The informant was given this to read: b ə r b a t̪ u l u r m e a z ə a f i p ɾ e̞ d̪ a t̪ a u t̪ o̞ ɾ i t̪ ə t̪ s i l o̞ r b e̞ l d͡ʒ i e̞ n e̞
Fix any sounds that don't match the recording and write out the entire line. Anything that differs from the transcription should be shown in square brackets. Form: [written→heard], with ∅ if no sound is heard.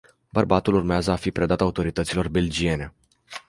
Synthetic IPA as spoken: b ə r b a t̪ u l u r m e a z ə a f i p ɾ e̞ d̪ a t̪ a u t̪ o̞ ɾ i t̪ ə t̪ s i l o̞ r b e̞ l d͡ʒ i e̞ n e̞